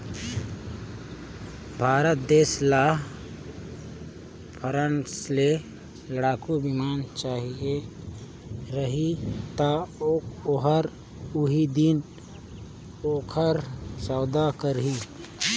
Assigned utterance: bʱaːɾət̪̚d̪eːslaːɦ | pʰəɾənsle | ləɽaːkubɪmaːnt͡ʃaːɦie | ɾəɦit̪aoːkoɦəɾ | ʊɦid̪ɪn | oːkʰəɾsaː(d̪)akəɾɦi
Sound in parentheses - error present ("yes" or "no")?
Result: no